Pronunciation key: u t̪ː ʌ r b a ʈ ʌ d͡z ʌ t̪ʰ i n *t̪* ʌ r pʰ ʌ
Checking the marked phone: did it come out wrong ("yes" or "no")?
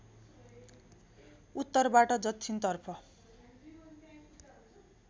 no